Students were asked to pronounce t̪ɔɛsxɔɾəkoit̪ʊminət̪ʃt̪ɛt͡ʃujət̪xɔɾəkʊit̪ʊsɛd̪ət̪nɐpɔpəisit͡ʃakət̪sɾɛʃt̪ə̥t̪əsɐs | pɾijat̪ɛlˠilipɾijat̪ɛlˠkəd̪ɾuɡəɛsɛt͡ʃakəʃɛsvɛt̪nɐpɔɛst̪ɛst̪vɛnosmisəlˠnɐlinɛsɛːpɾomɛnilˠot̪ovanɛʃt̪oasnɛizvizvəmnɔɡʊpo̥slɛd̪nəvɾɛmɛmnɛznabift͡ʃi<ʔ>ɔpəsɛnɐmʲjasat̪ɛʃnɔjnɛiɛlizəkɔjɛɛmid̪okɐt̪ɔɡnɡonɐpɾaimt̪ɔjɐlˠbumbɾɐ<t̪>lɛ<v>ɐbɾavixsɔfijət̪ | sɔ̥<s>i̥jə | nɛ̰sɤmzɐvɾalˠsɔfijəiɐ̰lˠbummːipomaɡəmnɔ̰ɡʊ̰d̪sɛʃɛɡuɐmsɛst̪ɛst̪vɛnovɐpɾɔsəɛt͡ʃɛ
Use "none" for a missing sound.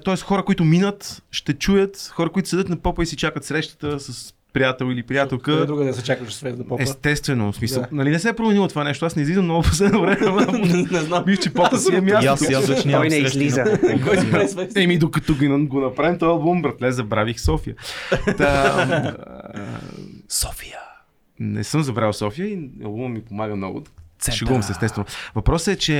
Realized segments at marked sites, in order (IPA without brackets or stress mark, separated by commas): p, t̪, z, f